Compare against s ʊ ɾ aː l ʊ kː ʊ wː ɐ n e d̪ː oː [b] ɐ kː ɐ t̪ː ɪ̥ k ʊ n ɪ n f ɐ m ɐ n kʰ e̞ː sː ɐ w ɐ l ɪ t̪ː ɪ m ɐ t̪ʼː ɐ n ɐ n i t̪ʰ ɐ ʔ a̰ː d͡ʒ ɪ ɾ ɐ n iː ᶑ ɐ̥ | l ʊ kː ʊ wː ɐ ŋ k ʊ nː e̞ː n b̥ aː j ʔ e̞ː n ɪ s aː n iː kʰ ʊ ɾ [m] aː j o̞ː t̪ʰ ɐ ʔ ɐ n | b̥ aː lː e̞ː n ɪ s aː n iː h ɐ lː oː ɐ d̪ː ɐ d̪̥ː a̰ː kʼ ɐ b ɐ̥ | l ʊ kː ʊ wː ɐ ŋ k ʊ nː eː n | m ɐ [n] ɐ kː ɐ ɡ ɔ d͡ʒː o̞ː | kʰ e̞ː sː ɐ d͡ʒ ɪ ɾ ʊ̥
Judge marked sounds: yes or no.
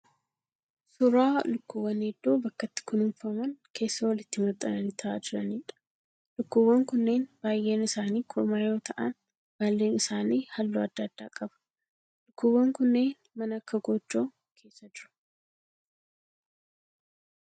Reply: yes, yes, yes

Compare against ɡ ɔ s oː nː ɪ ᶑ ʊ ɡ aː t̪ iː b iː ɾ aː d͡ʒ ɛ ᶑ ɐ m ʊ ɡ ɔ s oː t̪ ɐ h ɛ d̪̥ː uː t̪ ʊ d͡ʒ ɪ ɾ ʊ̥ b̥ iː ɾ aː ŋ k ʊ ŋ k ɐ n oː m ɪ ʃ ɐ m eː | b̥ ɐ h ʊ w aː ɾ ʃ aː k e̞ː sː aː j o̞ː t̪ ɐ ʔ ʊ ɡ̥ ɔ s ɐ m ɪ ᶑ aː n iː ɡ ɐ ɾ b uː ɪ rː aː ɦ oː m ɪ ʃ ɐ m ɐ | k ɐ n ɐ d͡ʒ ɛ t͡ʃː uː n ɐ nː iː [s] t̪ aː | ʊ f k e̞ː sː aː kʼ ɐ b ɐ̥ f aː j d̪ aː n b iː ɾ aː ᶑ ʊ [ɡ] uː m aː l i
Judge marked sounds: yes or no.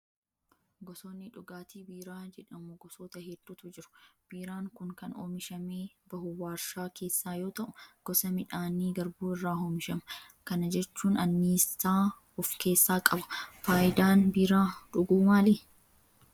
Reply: yes, yes

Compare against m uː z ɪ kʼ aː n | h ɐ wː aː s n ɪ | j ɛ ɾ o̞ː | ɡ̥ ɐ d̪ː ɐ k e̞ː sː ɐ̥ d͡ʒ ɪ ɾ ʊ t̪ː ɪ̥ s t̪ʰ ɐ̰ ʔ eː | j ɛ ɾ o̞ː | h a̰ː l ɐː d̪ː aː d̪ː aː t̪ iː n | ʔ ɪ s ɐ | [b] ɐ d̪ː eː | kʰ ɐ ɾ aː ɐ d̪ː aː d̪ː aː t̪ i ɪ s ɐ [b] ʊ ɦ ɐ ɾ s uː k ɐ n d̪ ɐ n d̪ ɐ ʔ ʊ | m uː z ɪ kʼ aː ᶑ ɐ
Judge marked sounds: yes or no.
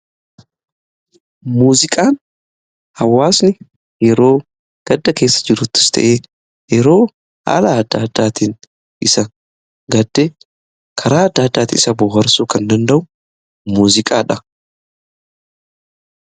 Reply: no, yes

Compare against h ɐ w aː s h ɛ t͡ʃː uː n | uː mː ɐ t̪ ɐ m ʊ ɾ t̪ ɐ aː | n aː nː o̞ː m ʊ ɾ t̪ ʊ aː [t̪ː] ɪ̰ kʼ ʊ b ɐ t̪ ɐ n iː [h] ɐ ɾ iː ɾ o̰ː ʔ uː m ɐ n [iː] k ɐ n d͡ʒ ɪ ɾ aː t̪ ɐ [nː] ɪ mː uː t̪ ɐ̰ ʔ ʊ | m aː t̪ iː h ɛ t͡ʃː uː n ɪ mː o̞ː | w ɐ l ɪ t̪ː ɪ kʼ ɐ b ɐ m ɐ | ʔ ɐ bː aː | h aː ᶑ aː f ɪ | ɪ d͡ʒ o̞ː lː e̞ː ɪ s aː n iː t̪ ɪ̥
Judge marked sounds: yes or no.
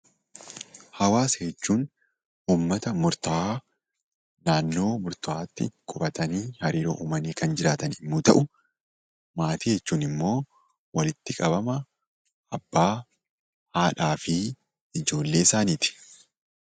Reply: yes, yes, yes, no

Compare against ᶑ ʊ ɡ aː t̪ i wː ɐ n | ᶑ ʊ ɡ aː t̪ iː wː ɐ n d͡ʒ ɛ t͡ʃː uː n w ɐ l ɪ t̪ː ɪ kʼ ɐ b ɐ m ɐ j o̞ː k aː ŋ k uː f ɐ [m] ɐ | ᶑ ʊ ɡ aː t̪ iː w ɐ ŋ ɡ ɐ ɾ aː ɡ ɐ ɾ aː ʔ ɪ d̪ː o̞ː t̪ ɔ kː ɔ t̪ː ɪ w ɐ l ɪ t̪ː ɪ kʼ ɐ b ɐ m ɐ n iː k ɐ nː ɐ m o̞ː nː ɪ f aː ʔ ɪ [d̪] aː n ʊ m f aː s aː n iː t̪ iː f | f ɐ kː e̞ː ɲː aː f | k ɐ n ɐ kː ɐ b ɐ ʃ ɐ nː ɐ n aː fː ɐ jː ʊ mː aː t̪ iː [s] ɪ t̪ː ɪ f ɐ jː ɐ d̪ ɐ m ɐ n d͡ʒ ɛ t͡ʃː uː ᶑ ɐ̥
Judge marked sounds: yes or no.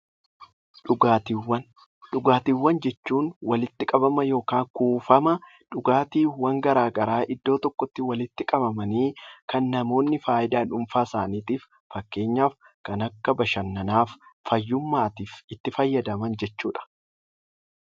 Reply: yes, yes, no

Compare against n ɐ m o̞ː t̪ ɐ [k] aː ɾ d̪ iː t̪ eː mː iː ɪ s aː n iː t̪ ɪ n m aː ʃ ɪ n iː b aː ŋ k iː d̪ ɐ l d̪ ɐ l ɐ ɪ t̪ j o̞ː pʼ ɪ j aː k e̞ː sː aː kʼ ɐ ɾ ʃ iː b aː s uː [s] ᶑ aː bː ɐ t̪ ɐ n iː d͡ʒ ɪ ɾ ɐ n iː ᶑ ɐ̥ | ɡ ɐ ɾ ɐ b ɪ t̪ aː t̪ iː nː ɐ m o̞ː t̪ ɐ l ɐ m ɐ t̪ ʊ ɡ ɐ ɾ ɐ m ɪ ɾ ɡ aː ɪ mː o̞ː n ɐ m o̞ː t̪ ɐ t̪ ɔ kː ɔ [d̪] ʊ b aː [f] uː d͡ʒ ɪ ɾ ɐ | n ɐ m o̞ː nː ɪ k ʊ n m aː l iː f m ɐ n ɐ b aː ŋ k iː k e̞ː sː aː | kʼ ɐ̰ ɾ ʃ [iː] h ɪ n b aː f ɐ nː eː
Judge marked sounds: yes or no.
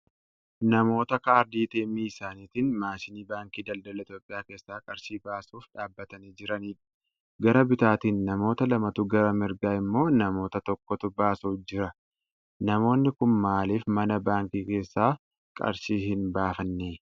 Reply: yes, no, no, no, yes

